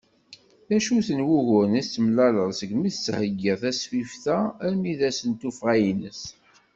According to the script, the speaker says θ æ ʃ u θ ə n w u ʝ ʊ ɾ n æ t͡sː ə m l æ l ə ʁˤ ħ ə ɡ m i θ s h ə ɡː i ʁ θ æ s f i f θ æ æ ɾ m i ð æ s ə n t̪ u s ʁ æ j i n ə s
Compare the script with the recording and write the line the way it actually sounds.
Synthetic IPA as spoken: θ æ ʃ u θ ə n w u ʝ ʊ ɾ n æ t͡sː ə m l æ l ə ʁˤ s ə ɡ m i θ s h ə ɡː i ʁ θ æ s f i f θ æ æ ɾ m i ð æ s ə n t̪ u f ʁ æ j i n ə s